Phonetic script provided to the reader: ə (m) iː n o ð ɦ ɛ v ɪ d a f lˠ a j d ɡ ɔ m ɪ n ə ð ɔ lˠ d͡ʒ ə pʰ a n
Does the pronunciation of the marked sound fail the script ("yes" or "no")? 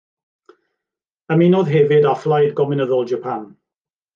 no